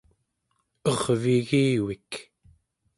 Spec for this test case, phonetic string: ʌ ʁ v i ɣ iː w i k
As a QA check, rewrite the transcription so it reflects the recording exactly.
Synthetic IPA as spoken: ʌ ʁ v i ɣ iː w i k